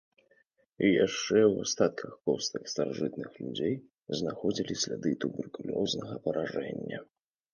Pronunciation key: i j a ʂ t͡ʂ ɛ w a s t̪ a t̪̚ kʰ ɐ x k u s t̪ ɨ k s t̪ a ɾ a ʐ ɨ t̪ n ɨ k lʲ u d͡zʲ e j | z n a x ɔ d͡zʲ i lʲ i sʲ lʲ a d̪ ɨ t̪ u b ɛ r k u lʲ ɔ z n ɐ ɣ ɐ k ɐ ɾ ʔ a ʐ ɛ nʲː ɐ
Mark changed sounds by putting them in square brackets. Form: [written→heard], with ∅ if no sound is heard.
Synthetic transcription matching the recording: i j a ʂ t͡ʂ ɛ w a s t̪ a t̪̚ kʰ ɐ x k [u→ɔ] s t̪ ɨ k s t̪ a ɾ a ʐ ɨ t̪ n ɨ [k→x] lʲ u d͡zʲ e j | z n a x ɔ d͡zʲ i lʲ i sʲ lʲ a d̪ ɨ t̪ u b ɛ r k u lʲ ɔ z n ɐ ɣ ɐ [k→p] ɐ ɾ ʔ a ʐ ɛ nʲː ɐ

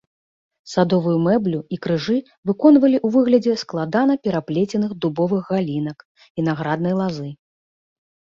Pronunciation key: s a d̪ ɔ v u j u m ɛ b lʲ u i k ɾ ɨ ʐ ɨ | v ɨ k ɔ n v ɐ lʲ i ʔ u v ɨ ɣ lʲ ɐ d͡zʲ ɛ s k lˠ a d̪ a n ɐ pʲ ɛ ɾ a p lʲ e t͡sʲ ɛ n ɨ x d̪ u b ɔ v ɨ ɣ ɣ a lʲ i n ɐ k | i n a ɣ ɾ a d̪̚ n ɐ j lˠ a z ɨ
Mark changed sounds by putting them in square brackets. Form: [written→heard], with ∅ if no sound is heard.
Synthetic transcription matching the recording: s a d̪ ɔ v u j u m ɛ b lʲ u i k ɾ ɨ ʐ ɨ | v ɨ k ɔ n v ɐ lʲ i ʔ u v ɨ ɣ lʲ ɐ d͡zʲ ɛ s k lˠ a d̪ a n ɐ pʲ ɛ ɾ a p lʲ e t͡sʲ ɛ n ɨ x d̪ u b ɔ v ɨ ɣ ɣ a lʲ i n ɐ k | i n a ɣ ɾ a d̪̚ n ɐ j lˠ a z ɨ

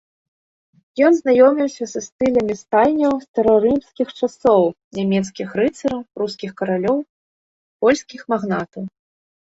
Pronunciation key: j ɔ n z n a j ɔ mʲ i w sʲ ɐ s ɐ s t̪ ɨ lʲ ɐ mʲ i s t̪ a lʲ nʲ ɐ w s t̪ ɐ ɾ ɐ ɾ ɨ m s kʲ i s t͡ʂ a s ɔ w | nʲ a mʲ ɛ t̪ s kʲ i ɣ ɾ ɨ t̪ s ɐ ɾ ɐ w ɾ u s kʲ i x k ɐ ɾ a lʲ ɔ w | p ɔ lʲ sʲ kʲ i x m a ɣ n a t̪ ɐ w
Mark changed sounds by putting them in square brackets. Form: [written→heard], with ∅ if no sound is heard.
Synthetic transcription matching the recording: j ɔ n z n a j ɔ mʲ i w sʲ ɐ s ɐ s t̪ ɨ lʲ ɐ mʲ i s t̪ a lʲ nʲ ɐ w s t̪ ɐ ɾ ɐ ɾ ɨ m s kʲ i [s→x] t͡ʂ a s ɔ w | nʲ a mʲ ɛ t̪ s kʲ i [ɣ→x] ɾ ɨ t̪ s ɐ ɾ ɐ w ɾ u s kʲ i x k ɐ ɾ a lʲ ɔ w | p ɔ lʲ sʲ kʲ i x m a ɣ n a t̪ ɐ w

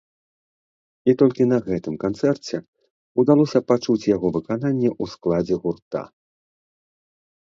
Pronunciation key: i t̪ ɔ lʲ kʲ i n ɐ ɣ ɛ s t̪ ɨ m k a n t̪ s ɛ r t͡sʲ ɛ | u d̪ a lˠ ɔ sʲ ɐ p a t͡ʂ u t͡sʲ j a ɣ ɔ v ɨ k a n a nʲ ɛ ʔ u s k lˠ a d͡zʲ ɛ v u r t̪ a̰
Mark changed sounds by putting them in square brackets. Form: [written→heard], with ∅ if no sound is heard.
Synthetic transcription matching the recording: i t̪ ɔ lʲ kʲ i n ɐ ɣ ɛ [s→∅] t̪ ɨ m k a n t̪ s ɛ r t͡sʲ ɛ | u d̪ a lˠ ɔ sʲ ɐ p a t͡ʂ u t͡sʲ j a ɣ ɔ v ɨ k a n a [nʲ→nʲː] ɛ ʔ u s k lˠ a d͡zʲ ɛ [v→ɣ] u r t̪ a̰

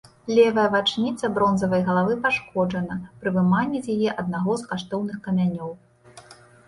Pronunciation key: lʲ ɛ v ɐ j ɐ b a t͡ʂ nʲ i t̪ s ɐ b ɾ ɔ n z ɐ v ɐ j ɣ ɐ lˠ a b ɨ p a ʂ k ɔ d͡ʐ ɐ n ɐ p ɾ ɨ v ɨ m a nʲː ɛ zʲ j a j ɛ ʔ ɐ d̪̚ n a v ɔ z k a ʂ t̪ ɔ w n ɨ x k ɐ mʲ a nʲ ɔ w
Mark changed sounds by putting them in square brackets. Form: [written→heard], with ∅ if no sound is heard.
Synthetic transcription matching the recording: lʲ ɛ v ɐ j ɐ [b→v] a t͡ʂ nʲ i t̪ s ɐ b ɾ ɔ n z ɐ v ɐ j ɣ ɐ lˠ a [b→v] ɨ p a ʂ k ɔ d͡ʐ ɐ n ɐ p ɾ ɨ v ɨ m a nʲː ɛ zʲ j a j ɛ ʔ ɐ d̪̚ n a [v→ɣ] ɔ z k a ʂ t̪ ɔ w n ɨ x k ɐ mʲ a nʲ ɔ w

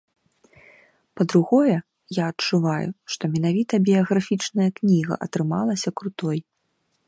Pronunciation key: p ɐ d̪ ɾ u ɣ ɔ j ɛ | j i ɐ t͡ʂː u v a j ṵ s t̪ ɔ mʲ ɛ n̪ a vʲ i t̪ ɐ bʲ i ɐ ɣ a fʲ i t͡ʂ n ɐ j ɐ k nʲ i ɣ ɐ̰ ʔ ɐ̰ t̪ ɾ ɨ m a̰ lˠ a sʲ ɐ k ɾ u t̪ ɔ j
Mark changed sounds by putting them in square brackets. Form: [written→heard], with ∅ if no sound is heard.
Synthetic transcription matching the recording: p ɐ d̪ ɾ u ɣ ɔ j ɛ | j [i→a] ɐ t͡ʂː u v a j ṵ [s→ʂ] t̪ ɔ mʲ ɛ n̪ a vʲ i t̪ ɐ bʲ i ɐ ɣ a fʲ i t͡ʂ n ɐ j ɐ k nʲ i ɣ ɐ̰ ʔ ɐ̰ t̪ ɾ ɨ m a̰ lˠ [a→ɐ] sʲ ɐ k ɾ u t̪ ɔ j

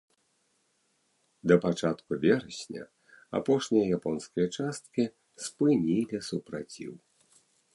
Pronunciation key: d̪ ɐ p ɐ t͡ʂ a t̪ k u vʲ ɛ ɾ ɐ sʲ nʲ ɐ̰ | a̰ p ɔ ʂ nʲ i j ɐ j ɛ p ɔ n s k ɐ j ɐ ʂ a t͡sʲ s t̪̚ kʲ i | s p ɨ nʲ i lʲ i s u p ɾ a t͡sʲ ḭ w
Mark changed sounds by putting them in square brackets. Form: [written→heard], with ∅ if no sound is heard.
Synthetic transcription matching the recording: d̪ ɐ p [ɐ→a] t͡ʂ a t̪ k u vʲ ɛ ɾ ɐ sʲ nʲ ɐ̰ | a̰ p ɔ ʂ nʲ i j ɐ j [ɛ→a] p ɔ n s k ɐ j ɐ [ʂ→t͡ʂ] a [t͡sʲ→∅] s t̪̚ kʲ i | s p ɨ nʲ i lʲ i s u p ɾ a t͡sʲ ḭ w

